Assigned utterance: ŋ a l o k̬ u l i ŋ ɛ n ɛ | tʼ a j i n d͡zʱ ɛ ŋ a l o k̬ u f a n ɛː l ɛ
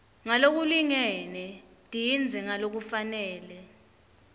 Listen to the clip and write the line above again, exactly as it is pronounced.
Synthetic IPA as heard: ŋ a l o k̬ u l i ŋ ɛ n ɛ | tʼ i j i n d͡zʱ ɛ ŋ a l o k̬ u f a n ɛː l ɛ